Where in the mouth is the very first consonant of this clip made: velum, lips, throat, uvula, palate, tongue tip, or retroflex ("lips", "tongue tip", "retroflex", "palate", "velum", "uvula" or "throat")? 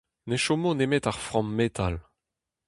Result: tongue tip